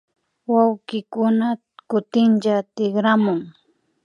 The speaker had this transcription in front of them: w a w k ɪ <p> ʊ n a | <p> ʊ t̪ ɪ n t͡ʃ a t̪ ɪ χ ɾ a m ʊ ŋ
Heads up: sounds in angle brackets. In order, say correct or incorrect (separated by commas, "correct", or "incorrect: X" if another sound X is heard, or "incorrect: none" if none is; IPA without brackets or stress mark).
incorrect: k, incorrect: k